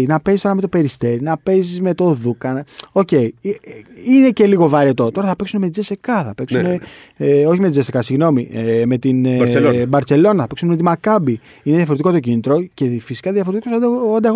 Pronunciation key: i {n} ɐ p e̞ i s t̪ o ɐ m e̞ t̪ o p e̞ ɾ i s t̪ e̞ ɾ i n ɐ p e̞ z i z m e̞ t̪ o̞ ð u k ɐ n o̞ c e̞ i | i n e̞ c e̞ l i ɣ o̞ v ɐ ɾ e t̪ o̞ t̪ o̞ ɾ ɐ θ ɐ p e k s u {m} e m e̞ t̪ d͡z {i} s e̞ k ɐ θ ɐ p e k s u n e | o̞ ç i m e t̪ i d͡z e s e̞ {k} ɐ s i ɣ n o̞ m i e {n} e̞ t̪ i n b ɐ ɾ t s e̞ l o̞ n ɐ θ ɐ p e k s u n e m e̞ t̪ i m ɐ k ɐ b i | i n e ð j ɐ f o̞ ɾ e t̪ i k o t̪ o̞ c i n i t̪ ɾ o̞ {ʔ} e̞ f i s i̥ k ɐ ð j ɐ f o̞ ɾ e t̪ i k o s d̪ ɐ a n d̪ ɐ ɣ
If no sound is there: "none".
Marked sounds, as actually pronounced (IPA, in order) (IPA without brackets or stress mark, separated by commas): n, n, e, k, m, c